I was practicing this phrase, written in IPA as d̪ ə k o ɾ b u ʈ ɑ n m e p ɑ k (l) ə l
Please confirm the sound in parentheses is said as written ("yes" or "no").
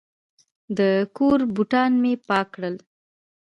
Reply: no